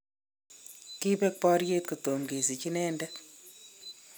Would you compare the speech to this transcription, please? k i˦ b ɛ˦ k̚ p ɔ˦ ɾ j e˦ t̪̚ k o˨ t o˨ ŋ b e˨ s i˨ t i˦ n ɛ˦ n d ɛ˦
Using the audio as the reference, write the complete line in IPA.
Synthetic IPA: k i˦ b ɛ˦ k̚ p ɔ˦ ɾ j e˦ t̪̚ k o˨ t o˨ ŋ ɡ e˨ s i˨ t͡ʃ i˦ n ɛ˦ n d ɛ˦